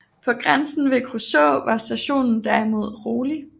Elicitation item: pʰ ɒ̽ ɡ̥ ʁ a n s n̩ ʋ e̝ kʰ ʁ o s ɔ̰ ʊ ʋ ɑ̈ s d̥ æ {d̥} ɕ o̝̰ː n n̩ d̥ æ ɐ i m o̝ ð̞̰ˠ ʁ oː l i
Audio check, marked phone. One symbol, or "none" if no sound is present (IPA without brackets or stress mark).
none